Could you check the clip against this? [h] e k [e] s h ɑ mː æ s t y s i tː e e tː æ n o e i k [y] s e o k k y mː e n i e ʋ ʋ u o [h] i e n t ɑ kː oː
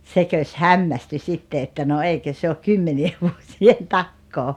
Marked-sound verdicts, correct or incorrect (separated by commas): incorrect, incorrect, incorrect, incorrect